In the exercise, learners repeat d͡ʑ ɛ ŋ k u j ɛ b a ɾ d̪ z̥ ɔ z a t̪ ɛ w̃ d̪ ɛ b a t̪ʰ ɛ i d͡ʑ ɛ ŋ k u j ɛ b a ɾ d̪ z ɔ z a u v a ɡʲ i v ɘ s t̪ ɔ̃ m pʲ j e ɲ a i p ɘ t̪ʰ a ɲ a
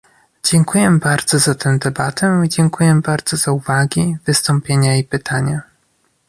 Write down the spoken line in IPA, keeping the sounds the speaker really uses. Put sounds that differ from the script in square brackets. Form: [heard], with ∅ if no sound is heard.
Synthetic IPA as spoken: d͡ʑ ɛ ŋ k u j ɛ b a ɾ d̪ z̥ ɔ z a t̪ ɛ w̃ d̪ ɛ b a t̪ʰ ɛ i d͡ʑ ɛ ŋ k u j ɛ b a ɾ d̪ z ɔ z a u v a ɡʲ i v ɘ s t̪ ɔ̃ m pʲ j e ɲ a i p ɘ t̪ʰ a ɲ a